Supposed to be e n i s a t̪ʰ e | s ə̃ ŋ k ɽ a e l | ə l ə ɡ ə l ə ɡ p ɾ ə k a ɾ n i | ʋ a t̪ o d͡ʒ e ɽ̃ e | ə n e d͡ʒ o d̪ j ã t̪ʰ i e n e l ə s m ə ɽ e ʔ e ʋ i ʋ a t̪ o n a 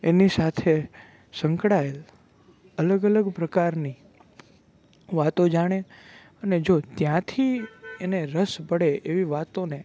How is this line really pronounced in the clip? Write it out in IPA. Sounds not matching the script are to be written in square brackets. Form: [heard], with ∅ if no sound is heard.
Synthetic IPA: e n i s a t̪ʰ e | s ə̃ ŋ k ɽ a e l | ə l ə ɡ ə l ə ɡ p ɾ ə k a ɾ n i | ʋ a t̪ o d͡ʒ [a] ɽ̃ e | ə n e d͡ʒ o [t̪] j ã t̪ʰ i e n e [ɾ] ə s [b] ə ɽ e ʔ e ʋ i ʋ a t̪ o n [e]